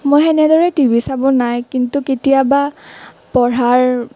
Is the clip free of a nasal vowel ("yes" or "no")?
yes